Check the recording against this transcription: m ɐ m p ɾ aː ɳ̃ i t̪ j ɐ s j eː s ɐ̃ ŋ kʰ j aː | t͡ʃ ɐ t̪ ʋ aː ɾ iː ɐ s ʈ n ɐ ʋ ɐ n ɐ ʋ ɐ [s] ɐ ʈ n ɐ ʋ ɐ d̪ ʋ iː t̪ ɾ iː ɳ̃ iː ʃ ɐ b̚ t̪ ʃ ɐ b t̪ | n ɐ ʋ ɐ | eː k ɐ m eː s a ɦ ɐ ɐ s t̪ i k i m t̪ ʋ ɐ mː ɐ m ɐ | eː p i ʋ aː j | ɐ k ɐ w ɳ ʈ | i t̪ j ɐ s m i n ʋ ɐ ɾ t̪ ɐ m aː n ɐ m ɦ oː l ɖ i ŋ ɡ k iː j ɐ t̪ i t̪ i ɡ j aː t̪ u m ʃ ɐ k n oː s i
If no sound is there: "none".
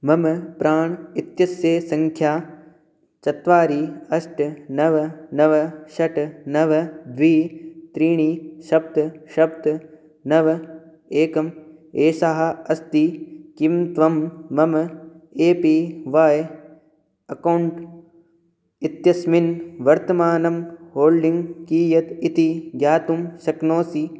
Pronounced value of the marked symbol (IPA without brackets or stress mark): ʃ